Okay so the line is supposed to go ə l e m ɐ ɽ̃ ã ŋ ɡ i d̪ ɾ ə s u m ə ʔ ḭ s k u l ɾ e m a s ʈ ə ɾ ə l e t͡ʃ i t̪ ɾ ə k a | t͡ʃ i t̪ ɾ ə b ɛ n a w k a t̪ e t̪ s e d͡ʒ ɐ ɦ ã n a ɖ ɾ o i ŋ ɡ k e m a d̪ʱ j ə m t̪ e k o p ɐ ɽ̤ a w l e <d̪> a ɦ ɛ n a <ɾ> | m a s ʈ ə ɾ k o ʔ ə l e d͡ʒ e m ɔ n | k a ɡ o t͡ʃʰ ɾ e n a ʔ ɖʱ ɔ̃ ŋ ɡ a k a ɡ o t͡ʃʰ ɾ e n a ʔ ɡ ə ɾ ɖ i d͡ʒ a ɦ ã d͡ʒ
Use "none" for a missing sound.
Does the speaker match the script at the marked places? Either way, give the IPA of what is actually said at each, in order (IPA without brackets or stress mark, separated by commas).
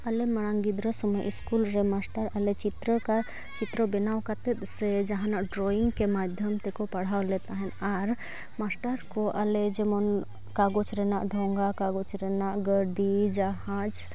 t̪, ɾ